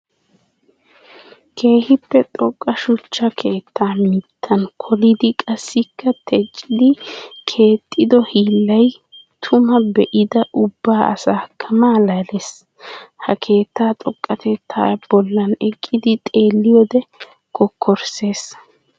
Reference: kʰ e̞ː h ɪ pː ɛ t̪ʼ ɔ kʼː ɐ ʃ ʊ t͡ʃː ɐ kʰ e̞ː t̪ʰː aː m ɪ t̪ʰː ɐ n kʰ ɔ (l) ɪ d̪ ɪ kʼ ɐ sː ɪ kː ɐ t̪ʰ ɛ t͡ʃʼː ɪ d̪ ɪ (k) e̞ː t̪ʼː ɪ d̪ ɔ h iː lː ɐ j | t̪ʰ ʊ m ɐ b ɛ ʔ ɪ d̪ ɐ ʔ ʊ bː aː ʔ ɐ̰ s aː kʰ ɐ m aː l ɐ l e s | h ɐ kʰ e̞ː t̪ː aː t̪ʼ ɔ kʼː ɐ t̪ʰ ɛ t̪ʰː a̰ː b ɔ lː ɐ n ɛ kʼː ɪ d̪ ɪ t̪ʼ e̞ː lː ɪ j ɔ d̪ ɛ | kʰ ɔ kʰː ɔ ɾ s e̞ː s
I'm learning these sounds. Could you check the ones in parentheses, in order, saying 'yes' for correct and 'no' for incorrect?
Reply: yes, no

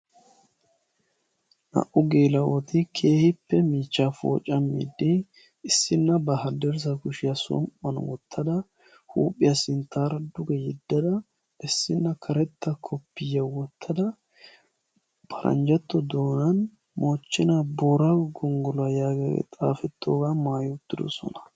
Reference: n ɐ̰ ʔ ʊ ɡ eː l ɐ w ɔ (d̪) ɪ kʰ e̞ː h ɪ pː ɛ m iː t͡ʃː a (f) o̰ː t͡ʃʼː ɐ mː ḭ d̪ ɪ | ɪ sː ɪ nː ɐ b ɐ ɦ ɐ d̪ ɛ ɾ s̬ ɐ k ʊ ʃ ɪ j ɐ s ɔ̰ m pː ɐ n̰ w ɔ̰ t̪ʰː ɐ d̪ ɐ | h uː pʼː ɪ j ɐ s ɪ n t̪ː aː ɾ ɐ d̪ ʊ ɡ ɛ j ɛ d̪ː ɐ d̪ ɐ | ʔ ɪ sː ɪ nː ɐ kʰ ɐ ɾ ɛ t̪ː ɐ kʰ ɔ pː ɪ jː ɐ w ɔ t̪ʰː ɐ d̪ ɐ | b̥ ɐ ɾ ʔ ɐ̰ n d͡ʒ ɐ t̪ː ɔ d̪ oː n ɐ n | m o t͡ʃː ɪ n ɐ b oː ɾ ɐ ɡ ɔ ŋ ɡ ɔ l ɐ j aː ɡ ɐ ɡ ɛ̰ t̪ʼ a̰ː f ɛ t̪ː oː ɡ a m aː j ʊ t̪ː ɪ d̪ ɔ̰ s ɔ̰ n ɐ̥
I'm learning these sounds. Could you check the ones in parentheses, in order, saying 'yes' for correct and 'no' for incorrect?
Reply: no, yes

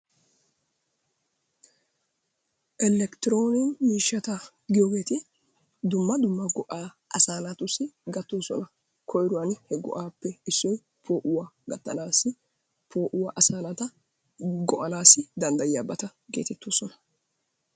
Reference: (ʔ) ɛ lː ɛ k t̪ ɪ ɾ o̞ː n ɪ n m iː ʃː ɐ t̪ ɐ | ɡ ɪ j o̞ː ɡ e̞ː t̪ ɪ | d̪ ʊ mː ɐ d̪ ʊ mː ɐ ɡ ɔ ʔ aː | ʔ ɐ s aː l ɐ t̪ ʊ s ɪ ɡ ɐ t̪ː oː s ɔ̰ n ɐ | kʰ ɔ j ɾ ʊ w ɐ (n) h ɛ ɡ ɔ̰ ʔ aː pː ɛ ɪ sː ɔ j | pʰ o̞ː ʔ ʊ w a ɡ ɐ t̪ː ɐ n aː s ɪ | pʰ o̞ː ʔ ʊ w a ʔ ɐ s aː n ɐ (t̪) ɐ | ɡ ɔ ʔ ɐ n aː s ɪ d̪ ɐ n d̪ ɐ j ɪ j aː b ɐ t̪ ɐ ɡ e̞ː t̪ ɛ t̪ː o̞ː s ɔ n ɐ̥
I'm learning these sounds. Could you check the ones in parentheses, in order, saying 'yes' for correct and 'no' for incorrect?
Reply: yes, yes, yes

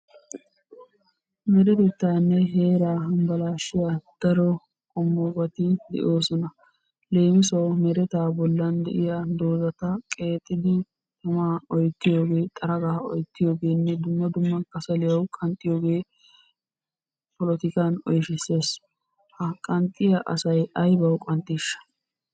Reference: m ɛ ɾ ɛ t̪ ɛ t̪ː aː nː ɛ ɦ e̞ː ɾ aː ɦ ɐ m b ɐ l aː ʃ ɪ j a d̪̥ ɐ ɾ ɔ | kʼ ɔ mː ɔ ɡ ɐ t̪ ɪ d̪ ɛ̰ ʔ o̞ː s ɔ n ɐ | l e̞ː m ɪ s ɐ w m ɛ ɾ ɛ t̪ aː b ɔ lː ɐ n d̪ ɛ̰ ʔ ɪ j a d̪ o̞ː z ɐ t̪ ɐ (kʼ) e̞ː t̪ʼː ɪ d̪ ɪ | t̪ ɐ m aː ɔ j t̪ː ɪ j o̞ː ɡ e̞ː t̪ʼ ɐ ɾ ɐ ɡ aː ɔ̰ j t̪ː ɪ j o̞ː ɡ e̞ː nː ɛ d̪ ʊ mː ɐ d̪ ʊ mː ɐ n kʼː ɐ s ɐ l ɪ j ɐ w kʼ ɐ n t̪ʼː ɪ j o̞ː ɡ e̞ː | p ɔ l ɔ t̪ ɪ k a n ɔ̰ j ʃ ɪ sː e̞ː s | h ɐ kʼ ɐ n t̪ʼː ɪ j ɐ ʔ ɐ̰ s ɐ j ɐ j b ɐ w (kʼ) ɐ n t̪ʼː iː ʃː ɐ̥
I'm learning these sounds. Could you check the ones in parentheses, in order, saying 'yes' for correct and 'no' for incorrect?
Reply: yes, yes

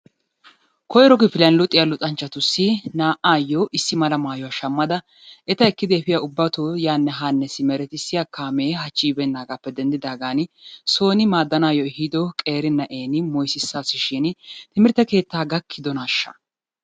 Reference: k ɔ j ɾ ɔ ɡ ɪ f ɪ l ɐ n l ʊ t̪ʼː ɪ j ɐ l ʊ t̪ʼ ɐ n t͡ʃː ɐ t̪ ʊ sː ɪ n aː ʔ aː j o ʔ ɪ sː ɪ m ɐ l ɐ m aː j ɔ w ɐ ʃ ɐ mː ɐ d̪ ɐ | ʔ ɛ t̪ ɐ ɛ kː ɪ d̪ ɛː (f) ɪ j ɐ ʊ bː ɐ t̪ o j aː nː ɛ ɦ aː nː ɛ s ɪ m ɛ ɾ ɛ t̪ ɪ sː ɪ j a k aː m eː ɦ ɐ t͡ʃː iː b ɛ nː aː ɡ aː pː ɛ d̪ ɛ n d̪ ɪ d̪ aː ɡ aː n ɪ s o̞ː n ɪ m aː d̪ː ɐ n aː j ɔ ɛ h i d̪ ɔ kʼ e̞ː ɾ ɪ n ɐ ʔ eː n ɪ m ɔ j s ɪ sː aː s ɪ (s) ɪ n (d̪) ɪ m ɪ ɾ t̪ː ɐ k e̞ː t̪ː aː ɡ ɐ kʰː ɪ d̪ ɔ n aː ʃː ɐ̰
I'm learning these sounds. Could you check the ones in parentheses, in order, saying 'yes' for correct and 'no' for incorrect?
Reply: yes, no, no

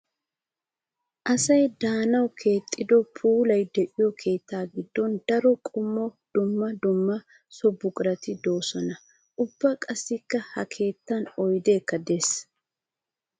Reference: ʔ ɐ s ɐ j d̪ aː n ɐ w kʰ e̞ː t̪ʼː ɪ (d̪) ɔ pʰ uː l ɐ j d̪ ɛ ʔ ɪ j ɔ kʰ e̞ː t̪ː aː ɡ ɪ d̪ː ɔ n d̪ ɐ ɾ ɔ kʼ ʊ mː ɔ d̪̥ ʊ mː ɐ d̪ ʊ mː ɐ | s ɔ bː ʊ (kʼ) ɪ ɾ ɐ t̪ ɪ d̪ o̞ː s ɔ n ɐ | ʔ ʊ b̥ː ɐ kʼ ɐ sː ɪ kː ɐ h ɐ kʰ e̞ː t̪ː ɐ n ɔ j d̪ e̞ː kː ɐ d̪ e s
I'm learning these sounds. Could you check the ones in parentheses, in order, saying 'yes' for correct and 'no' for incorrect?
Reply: yes, yes

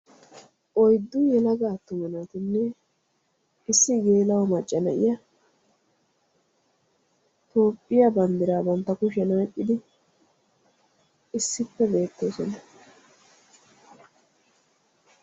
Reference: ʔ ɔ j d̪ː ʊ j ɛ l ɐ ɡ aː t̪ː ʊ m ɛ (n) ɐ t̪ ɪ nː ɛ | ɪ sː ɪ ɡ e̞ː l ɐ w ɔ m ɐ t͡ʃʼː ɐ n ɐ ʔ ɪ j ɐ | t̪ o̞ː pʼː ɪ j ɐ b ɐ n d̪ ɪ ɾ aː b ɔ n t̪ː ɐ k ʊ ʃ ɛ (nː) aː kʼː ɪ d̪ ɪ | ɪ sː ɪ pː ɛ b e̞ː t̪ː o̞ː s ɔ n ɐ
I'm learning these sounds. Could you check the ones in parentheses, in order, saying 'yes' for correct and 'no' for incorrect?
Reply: yes, no

